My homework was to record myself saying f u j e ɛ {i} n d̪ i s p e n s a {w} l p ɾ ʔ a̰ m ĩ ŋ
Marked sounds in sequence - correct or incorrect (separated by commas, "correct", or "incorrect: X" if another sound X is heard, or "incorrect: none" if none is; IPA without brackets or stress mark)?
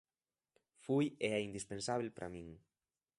correct, incorrect: β